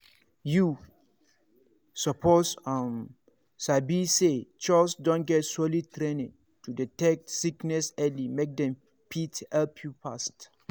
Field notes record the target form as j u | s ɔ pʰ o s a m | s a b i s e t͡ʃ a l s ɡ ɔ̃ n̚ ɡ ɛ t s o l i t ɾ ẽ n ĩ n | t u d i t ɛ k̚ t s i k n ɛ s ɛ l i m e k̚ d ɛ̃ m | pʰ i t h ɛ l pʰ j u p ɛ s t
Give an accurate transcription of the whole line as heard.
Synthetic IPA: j u | s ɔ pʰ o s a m | s a b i s e t͡ʃ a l s d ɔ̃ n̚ ɡ ɛ t s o l i t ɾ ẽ n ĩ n | t u d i t ɛ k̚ t s i k n ɛ s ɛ l i m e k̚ d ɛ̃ m | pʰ i t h ɛ l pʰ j u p a s t

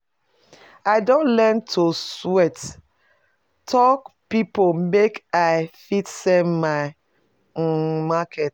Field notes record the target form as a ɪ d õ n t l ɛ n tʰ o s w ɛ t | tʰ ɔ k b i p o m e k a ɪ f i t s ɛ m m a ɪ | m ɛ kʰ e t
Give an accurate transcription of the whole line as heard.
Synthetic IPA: a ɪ d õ n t l ɛ n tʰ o s w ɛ t | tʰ ɔ k p i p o m e k a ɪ f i t s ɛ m m a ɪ | m a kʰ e t

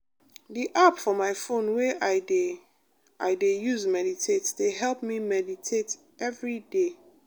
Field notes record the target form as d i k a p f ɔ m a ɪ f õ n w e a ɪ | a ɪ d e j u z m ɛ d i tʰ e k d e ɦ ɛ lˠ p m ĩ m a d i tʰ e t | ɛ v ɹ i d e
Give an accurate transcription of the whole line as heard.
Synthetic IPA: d i ʔ a p f ɔ m a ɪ f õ n w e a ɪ | a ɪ d e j u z m ɛ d i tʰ e t d e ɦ ɛ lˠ p m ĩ m ɛ d i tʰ e t | ɛ v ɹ i d e

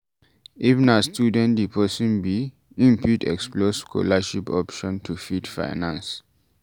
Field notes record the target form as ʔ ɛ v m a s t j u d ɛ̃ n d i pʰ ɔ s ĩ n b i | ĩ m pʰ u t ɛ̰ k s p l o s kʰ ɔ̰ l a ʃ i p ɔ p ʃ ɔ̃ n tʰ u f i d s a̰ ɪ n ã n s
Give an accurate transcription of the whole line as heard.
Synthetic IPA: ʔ i v n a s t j u d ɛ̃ n d i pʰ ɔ s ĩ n b i | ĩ m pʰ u t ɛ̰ k s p l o s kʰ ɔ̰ l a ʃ i p ɔ p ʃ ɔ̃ n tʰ u f i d f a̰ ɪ n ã n s

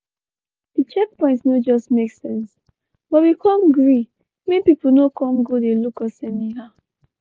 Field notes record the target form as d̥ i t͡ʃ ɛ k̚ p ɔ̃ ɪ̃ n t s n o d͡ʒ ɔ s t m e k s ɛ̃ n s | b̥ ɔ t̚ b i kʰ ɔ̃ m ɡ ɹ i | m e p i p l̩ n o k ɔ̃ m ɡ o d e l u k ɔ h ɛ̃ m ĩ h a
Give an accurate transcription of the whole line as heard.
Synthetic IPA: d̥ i t͡ʃ ɛ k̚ p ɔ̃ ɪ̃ n t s n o d͡ʒ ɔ s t m e k s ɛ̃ n s | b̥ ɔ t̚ w i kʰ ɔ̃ m ɡ ɹ i | m e p i p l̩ n o k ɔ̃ m ɡ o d e l u k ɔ s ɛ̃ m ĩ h a

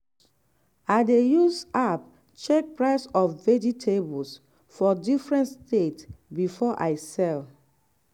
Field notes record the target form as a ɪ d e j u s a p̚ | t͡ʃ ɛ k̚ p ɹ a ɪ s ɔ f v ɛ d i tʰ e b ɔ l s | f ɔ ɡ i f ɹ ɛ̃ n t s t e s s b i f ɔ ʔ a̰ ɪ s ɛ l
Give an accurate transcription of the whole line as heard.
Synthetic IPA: a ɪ d e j u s a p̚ | t͡ʃ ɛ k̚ p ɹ a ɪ s ɔ f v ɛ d i tʰ e b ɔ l s | f ɔ d i f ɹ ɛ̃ n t s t e t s b i f ɔ ʔ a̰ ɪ s ɛ l

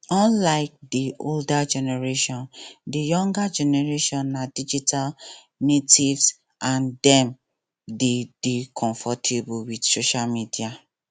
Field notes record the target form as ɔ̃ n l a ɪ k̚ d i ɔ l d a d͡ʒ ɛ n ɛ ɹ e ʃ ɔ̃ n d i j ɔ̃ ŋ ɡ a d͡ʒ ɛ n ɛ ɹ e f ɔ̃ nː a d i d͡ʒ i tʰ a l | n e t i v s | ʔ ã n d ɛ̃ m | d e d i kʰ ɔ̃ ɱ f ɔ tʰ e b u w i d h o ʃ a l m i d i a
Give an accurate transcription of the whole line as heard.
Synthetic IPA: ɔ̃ n l a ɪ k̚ d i o l d a d͡ʒ ɛ n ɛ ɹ e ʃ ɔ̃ n d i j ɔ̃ ŋ ɡ a d͡ʒ ɛ n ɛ ɹ e ʃ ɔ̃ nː a d i d͡ʒ i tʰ a l | n e t i v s | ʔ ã n d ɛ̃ m | d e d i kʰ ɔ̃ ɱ f ɔ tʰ e b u w i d s o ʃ a l m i d i a

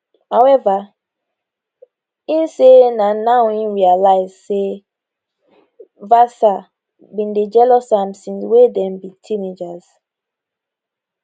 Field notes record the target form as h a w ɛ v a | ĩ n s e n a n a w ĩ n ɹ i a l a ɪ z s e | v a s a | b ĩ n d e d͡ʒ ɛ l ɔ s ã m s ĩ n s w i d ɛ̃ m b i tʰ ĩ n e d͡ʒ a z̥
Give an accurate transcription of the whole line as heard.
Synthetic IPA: h a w ɛ v a | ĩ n s e n a n a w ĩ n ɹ i a l a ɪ z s e | v a s a | b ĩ n d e d͡ʒ ɛ l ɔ s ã m s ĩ n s w e d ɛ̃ m b i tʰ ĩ n e d͡ʒ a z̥

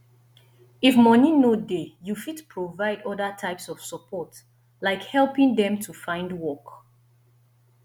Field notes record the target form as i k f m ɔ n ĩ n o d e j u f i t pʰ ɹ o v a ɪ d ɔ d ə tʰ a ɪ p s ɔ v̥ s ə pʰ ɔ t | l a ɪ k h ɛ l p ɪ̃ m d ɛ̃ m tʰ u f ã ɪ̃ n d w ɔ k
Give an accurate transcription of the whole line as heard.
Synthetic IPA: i f m ɔ n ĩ n o d e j u f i t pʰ ɹ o v a ɪ d ɔ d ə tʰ a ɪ p s ɔ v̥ s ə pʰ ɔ t | l a ɪ k h ɛ l p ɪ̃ ŋ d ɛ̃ m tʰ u f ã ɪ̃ n d w ɔ k

